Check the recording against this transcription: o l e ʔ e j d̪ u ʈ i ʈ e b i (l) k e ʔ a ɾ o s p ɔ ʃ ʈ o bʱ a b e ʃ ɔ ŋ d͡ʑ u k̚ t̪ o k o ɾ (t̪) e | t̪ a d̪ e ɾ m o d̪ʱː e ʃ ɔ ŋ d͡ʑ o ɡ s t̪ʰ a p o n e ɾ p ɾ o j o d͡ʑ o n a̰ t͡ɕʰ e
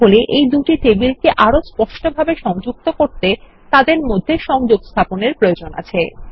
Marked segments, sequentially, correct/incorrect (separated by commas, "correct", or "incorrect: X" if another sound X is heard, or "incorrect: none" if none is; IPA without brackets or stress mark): correct, correct